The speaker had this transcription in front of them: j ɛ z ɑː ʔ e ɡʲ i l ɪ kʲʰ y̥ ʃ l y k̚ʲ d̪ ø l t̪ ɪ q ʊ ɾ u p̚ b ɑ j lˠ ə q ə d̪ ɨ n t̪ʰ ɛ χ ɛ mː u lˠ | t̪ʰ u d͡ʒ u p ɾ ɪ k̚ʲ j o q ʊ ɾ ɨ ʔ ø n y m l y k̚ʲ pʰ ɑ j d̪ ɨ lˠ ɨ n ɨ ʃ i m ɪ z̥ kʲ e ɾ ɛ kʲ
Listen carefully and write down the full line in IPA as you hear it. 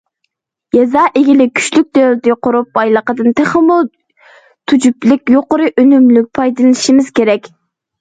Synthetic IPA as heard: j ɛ z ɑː ʔ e ɡʲ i l ɪ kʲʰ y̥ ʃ l y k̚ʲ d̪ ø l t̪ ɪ q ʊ ɾ u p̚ b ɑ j lˠ ə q ə d̪ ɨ n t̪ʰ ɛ χ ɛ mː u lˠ | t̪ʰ u d͡ʒ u p l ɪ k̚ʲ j o q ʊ ɾ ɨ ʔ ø n y m l y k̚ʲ pʰ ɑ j d̪ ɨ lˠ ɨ n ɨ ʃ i m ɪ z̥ kʲ e ɾ ɛ kʲ